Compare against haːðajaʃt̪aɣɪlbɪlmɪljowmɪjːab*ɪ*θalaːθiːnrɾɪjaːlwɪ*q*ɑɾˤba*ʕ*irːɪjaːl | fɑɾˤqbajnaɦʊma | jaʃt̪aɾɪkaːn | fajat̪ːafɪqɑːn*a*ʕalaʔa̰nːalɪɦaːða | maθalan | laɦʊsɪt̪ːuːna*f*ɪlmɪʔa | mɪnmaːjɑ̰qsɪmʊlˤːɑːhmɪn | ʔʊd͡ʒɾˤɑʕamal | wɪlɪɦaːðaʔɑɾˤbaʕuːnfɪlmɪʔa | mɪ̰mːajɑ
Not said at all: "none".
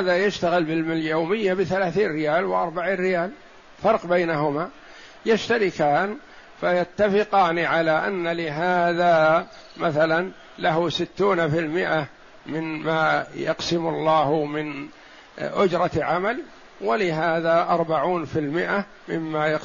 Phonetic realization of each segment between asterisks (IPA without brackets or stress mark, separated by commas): ɪ, ʔ, ʕ, i, f